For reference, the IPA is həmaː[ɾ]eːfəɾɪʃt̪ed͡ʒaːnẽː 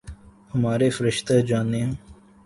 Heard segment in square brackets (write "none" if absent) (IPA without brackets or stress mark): ɾ